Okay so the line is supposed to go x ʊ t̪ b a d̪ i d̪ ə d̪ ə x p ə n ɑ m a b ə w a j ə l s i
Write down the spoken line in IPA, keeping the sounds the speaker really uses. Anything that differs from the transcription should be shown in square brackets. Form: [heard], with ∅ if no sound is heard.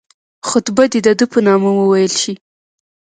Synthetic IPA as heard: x ʊ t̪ b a d̪ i d̪ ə d̪ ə [∅] p ə n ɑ m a [w] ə w a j ə l [ʃ] i